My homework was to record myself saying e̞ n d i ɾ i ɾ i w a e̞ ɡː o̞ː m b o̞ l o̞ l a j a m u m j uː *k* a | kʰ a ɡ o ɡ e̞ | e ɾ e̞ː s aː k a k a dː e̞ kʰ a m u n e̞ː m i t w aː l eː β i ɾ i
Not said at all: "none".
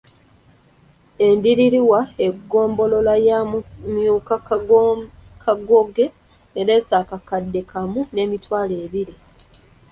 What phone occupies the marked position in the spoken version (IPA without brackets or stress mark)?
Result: k